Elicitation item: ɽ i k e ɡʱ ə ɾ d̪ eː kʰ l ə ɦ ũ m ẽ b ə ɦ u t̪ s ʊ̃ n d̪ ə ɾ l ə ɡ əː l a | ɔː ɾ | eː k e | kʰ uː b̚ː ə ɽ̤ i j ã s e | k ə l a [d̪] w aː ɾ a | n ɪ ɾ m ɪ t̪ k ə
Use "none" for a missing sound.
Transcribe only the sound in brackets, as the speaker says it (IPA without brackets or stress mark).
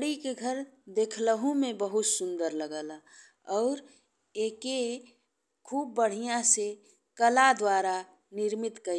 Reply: d̪